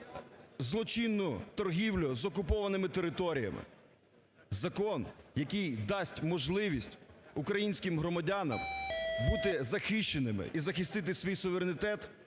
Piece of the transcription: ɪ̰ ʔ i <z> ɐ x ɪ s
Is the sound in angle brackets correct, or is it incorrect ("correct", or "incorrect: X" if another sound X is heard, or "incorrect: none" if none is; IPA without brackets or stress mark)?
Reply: correct